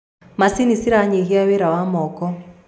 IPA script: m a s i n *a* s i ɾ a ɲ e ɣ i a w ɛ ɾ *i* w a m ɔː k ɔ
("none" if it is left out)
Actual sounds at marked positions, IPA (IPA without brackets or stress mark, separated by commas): i, a